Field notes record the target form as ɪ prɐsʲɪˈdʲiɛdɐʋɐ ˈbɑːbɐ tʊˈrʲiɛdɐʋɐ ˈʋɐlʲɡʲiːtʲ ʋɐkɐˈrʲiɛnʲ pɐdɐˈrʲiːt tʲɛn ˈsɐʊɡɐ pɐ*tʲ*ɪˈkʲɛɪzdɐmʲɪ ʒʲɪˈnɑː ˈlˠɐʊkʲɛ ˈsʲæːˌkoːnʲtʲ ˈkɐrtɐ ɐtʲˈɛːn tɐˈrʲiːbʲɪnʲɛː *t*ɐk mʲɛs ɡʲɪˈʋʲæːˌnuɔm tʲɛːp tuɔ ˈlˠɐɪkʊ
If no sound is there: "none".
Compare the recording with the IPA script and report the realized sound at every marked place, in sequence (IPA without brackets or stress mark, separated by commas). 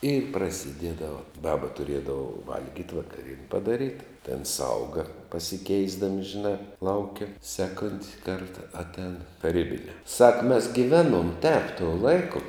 sʲ, s